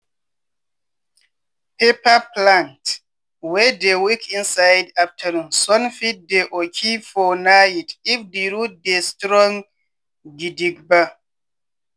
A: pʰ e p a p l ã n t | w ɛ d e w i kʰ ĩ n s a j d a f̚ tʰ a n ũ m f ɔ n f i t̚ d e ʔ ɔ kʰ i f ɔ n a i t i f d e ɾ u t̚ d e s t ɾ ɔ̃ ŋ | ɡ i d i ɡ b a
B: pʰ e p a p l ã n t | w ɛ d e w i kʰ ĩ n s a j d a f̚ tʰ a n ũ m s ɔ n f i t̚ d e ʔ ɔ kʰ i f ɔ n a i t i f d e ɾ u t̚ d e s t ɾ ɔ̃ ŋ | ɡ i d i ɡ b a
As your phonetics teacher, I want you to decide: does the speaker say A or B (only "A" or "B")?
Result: B